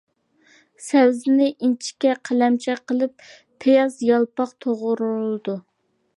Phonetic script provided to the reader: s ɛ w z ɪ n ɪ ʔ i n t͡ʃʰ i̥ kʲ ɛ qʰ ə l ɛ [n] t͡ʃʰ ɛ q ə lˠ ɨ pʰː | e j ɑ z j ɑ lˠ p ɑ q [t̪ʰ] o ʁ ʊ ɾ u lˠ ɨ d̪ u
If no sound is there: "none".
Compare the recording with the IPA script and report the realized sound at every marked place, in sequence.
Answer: m, t̪ʰ

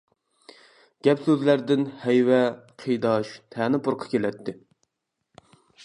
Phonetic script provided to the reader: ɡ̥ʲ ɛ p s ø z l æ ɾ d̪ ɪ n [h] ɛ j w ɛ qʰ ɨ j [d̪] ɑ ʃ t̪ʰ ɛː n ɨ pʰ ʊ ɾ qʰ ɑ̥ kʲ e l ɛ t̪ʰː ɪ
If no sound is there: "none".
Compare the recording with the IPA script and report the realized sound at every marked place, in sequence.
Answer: h, d̪

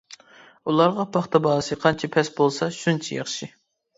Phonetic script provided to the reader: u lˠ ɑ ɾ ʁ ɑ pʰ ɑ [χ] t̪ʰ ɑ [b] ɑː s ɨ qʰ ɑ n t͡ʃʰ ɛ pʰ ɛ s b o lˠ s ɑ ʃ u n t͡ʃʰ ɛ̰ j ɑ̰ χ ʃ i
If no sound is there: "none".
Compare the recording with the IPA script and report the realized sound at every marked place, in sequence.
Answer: χ, b

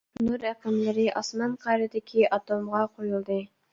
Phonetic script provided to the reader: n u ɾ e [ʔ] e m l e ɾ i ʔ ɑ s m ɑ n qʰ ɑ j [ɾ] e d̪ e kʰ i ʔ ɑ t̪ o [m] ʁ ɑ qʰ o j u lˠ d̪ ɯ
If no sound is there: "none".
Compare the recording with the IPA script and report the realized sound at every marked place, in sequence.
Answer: q, ɾ, m

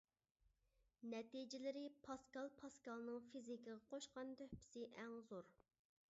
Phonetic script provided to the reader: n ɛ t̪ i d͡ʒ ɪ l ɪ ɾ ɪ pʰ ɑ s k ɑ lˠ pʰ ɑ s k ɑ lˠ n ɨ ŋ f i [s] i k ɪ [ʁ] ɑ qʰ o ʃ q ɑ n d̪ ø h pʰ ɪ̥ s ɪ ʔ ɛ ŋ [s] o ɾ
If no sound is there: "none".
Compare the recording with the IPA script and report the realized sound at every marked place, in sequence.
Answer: z, ʁ, z

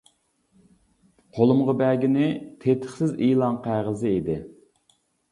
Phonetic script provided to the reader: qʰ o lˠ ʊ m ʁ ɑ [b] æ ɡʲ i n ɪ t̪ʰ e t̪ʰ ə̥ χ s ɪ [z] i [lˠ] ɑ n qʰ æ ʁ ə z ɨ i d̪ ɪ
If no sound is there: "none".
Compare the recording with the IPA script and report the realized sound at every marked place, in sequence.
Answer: b, z, lˠ

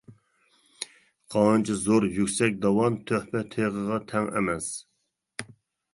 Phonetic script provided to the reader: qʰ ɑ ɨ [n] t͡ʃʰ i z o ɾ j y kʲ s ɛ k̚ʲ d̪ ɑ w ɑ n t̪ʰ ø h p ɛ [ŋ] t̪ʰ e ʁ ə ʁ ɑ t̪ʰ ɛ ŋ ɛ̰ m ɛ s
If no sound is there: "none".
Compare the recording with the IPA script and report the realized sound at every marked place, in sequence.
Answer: n, none

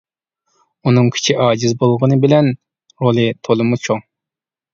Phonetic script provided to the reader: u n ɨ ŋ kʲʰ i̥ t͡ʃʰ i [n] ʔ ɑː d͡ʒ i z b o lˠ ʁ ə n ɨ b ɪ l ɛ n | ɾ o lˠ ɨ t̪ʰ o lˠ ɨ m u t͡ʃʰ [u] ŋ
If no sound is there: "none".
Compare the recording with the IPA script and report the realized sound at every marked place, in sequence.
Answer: none, o

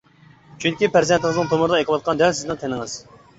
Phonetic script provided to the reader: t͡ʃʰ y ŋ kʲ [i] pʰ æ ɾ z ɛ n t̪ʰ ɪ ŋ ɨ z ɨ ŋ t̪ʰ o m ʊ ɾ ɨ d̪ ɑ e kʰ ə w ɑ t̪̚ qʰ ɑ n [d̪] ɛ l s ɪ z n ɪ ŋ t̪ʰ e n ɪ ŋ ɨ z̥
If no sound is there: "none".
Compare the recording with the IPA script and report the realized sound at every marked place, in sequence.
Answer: i, d̪

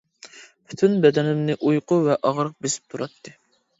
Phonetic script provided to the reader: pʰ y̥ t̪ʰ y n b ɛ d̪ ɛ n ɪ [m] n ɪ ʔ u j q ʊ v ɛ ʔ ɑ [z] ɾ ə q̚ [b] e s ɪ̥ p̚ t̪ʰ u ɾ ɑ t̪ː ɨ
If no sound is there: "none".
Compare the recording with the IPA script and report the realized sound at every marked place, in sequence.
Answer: m, ʁ, b

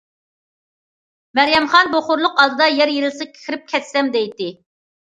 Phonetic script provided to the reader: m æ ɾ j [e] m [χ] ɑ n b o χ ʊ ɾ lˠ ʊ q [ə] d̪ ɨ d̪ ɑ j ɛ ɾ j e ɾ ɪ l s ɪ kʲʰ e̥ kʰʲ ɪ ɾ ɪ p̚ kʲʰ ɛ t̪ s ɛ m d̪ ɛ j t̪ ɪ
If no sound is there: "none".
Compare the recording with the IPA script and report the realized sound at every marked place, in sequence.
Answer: ɛ, χ, ɑ

